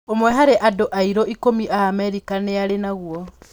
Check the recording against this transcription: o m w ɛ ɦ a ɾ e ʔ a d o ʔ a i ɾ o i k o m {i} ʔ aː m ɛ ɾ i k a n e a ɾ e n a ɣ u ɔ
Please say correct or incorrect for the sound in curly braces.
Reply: correct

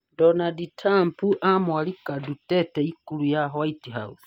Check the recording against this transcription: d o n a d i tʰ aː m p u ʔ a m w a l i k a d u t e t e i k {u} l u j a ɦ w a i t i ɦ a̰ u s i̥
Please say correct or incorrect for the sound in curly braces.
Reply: correct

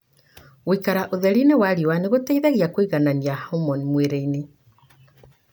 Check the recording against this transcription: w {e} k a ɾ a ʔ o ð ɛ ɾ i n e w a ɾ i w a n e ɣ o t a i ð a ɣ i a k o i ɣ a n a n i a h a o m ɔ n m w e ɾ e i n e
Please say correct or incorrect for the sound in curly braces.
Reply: incorrect: i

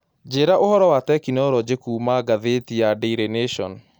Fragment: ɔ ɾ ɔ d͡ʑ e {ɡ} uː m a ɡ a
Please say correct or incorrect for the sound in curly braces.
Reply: incorrect: k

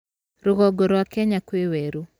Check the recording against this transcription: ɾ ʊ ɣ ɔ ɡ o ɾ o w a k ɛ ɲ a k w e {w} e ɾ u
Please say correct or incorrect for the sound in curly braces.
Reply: correct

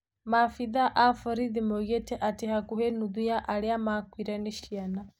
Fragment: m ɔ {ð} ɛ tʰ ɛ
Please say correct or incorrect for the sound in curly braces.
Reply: incorrect: ɣ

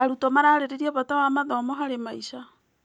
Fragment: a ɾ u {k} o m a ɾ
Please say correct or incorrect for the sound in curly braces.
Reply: incorrect: t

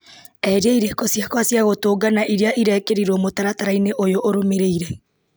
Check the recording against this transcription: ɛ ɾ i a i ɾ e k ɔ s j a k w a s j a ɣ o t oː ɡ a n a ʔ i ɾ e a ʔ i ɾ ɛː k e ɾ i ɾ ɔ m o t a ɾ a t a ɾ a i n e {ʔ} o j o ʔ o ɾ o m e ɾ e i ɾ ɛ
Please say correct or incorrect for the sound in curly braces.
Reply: correct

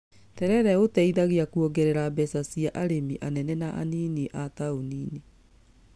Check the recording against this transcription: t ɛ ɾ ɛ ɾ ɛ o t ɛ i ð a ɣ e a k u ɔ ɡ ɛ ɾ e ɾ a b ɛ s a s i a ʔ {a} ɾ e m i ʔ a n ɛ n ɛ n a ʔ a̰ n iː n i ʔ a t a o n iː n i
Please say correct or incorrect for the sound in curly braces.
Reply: correct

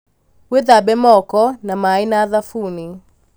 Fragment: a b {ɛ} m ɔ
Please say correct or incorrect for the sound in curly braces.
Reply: correct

